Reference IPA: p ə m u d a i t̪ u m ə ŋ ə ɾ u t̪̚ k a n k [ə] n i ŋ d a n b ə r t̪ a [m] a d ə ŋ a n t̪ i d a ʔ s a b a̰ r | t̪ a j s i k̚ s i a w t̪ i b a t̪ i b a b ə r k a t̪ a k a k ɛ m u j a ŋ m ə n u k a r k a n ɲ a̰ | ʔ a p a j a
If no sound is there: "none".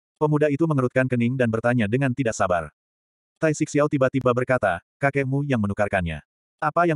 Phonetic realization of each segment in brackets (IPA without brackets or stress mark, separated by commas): ə, ɲ